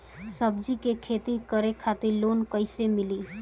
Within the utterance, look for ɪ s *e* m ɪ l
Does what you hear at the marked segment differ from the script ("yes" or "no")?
no